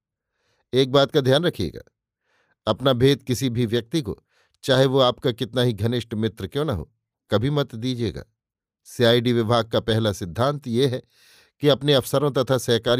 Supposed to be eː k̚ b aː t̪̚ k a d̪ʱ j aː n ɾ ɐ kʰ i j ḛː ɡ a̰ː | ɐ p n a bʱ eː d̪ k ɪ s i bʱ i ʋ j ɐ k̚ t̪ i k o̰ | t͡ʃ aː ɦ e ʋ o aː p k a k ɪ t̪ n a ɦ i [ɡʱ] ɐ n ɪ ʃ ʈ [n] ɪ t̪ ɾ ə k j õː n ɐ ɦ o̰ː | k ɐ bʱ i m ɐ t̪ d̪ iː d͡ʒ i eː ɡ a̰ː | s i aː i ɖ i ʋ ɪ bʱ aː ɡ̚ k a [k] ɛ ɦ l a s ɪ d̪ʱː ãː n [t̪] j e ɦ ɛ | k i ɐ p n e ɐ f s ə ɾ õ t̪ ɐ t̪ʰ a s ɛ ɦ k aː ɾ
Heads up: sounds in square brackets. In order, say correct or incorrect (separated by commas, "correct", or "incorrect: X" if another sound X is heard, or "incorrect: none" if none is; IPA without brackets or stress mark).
correct, incorrect: m, incorrect: p, correct